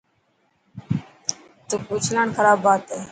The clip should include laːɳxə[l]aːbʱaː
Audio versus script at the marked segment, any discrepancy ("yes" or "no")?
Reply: yes